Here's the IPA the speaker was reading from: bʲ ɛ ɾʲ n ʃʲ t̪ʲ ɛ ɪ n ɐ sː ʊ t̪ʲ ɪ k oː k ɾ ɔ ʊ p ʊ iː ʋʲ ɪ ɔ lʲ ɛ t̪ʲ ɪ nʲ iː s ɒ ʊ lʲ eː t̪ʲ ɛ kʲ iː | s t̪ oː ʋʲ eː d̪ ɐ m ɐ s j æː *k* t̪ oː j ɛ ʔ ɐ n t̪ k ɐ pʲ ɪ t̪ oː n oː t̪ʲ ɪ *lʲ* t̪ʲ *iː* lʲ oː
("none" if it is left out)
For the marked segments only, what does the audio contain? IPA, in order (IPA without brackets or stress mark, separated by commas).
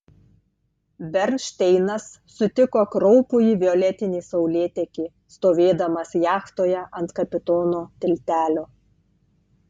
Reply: x, lʲ, æː